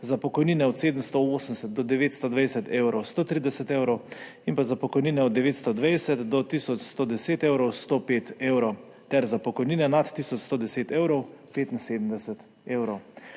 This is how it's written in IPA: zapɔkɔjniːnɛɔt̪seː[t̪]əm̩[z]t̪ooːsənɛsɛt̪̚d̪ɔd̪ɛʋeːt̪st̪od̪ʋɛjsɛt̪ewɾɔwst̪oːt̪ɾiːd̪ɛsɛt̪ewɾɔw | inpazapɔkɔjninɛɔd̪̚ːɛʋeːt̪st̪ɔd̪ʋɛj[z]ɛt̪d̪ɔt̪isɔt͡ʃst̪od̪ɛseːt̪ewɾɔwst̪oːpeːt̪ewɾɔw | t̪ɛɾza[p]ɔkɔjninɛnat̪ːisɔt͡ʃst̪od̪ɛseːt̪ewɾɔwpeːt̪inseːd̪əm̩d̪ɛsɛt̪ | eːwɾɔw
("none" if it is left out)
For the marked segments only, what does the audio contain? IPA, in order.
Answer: d̪, s, s, p

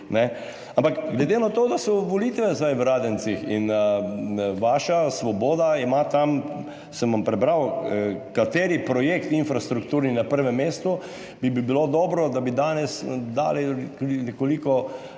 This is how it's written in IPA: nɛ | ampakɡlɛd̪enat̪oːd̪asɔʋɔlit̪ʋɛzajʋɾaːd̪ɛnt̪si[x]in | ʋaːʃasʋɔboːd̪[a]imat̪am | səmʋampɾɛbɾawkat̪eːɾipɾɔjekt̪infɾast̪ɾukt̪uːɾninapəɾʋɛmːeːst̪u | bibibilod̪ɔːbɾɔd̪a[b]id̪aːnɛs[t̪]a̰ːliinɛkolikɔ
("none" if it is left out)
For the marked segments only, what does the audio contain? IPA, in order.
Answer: x, a, b, d̪

